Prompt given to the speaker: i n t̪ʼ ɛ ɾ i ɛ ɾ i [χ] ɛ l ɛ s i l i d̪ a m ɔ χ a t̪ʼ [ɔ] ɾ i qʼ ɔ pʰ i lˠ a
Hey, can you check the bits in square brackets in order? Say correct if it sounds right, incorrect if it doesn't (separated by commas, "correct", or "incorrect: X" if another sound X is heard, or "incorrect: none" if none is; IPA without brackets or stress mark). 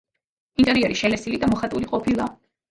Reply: incorrect: ʃ, incorrect: u